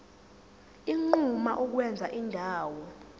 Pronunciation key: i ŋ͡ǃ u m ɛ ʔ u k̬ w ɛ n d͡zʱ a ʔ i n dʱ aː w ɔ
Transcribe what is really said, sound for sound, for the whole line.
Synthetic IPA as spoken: i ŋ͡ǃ u m a ʔ u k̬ w ɛ n d͡zʱ a ʔ i n dʱ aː w ɔ